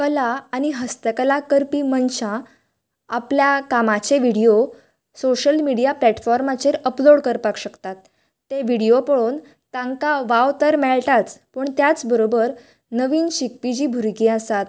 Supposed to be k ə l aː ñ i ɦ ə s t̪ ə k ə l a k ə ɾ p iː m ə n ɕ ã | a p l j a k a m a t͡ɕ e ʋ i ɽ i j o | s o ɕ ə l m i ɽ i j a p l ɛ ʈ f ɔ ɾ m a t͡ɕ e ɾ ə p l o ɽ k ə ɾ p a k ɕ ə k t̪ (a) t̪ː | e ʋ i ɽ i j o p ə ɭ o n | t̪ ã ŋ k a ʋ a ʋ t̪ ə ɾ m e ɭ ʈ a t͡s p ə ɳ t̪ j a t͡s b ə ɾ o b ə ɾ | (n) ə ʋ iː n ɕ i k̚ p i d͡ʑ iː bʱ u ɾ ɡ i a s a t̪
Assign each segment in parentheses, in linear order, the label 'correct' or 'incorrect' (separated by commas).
correct, correct